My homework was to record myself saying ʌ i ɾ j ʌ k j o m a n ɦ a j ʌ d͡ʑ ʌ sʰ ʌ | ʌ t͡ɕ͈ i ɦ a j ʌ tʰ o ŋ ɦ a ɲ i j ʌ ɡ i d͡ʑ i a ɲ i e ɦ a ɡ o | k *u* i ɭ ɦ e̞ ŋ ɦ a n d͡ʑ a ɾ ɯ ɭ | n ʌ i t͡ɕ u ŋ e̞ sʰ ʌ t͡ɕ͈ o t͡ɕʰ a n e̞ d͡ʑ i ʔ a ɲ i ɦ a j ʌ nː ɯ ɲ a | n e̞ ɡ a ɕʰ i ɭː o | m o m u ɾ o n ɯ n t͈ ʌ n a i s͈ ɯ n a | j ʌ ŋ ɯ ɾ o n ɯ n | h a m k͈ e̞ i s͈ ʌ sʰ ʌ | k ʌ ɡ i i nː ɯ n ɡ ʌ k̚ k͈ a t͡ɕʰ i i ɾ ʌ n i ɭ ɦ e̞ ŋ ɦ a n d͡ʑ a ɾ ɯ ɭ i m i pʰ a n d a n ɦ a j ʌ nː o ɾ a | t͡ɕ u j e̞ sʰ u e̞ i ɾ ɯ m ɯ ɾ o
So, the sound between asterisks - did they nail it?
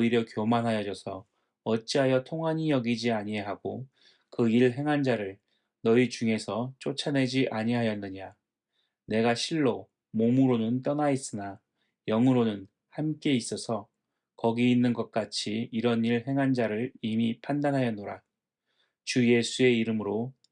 no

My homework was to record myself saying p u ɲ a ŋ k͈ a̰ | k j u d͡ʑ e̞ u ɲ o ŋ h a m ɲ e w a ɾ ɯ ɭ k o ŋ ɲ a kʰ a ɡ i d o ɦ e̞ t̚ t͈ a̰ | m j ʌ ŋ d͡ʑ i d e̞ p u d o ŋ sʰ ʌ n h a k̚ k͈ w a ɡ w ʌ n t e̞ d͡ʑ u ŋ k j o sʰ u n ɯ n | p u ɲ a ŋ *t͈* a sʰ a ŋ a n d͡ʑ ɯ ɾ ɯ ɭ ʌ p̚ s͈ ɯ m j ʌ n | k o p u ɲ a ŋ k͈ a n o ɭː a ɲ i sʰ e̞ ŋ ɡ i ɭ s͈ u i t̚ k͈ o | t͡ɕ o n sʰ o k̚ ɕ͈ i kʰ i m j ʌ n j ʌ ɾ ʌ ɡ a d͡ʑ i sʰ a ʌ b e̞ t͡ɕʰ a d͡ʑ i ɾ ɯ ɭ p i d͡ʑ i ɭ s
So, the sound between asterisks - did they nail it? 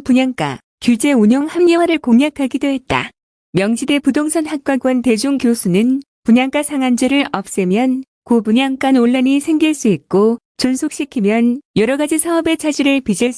no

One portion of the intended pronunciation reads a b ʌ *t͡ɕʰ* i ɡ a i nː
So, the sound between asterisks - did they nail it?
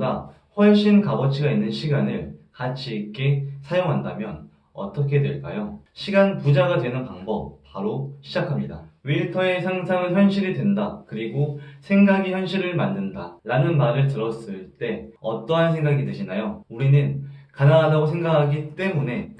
yes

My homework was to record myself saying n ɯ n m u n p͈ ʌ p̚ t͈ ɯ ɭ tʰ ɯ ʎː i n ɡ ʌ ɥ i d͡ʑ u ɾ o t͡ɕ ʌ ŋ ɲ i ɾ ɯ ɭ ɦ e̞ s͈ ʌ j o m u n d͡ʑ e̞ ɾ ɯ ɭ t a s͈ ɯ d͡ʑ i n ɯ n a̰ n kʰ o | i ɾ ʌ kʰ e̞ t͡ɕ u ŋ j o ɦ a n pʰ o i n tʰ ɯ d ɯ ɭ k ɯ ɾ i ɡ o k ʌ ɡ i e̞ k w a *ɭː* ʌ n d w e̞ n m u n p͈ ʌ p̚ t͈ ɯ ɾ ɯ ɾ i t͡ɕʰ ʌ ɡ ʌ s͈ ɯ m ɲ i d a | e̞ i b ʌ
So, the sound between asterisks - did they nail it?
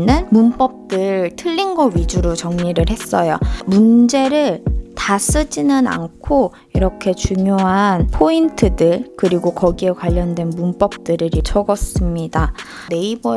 no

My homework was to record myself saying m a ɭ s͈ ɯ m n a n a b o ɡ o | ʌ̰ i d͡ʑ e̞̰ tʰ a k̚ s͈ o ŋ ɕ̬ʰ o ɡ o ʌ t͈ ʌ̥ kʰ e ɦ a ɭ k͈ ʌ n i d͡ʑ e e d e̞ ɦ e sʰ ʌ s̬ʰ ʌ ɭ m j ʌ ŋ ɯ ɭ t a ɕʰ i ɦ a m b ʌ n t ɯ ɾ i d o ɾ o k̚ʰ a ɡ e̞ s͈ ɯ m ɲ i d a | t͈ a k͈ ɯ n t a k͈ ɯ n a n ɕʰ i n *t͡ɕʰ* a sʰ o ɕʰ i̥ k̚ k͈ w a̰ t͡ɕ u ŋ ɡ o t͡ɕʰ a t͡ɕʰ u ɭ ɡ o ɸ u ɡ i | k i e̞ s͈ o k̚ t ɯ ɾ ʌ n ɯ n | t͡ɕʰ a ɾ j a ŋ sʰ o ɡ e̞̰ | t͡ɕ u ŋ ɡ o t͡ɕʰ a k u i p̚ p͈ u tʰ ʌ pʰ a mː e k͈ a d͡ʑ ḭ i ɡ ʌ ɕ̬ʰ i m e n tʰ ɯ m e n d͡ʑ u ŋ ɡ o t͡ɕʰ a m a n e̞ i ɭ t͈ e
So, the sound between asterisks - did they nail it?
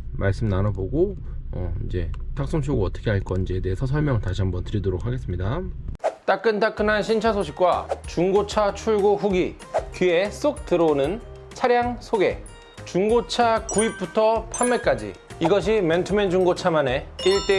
yes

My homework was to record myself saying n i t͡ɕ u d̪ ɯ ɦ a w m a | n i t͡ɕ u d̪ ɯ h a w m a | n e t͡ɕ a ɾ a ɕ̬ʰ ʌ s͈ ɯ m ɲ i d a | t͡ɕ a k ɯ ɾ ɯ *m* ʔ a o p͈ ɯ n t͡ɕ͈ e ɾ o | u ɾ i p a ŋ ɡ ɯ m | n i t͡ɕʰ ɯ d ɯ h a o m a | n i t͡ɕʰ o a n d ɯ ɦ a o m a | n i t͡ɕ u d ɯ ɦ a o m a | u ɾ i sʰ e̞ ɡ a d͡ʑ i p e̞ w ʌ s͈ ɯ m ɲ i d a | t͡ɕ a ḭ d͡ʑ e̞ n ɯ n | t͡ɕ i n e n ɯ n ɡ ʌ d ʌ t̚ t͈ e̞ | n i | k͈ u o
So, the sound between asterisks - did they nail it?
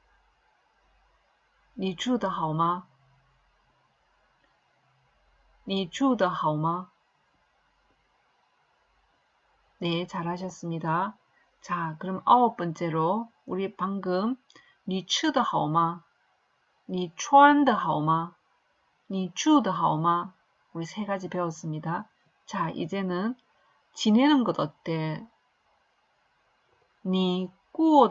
yes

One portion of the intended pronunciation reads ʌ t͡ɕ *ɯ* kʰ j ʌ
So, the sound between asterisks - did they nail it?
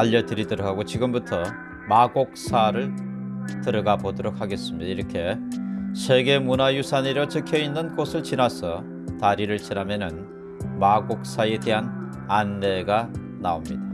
yes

